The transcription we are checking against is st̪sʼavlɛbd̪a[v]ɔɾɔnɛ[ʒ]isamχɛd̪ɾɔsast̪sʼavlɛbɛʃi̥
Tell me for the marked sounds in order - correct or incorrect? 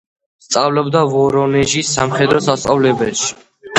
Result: correct, correct

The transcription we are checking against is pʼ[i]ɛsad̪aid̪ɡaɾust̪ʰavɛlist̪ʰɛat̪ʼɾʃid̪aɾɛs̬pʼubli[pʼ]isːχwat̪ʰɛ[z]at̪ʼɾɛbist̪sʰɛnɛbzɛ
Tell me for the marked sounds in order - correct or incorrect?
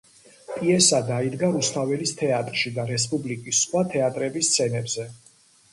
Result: correct, incorrect: kʼ, incorrect: none

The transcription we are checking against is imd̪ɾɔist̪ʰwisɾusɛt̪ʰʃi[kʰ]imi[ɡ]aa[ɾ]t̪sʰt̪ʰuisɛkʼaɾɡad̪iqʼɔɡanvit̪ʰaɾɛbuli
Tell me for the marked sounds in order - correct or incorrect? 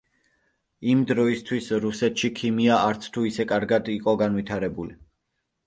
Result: correct, incorrect: none, correct

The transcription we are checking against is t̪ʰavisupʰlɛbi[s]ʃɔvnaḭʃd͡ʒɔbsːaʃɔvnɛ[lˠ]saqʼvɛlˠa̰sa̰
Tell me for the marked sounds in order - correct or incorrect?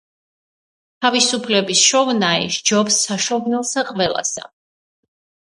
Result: correct, correct

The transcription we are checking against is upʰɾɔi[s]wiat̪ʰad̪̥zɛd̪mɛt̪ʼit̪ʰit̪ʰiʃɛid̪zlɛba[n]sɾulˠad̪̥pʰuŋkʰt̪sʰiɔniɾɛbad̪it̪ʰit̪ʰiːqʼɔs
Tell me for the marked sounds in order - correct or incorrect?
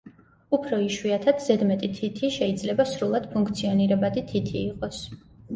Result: incorrect: ʃ, incorrect: none

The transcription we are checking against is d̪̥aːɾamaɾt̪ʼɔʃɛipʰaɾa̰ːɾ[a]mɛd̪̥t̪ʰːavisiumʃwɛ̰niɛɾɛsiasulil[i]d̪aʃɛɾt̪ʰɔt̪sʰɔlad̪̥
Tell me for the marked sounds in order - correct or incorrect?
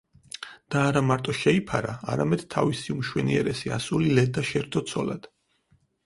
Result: correct, incorrect: ɛ

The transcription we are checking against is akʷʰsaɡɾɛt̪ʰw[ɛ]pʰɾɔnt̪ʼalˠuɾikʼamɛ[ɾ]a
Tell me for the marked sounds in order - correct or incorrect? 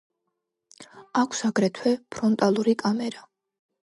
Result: correct, correct

